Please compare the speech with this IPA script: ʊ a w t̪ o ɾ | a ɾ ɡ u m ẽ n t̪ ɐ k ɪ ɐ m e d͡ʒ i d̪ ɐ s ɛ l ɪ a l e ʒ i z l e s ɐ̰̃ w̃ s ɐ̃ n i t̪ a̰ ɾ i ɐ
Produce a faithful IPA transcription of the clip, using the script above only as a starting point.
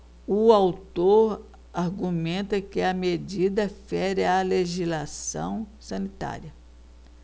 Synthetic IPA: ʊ a w t̪ o ɾ | a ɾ ɡ u m ẽ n t̪ ɐ k ɪ ɐ m e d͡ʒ i d̪ ɐ f ɛ ɾ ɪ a l e ʒ i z l a s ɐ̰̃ w̃ s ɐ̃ n i t̪ a̰ ɾ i ɐ